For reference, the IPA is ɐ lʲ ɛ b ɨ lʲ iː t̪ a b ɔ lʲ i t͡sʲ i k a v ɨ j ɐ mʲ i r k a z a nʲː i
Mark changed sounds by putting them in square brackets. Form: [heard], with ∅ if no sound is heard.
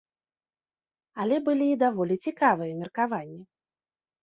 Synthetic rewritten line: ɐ lʲ ɛ b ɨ lʲ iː [d̪] a [v] ɔ lʲ i t͡sʲ i k a v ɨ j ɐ mʲ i r k a [v] a nʲː i